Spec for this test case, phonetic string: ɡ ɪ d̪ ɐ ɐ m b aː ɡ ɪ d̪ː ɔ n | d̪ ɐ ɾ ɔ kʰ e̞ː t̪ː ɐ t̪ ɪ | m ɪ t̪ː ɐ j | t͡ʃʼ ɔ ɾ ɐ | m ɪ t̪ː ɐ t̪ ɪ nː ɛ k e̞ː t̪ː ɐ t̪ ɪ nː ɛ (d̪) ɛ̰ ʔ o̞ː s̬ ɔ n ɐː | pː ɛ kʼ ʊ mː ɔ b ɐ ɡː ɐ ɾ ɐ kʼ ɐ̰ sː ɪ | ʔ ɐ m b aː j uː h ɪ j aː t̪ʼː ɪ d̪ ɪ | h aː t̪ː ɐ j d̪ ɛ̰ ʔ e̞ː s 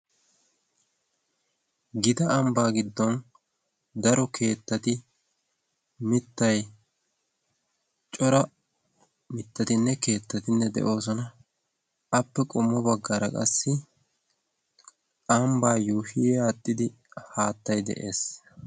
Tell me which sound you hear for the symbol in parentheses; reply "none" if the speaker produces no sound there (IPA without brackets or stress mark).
d̪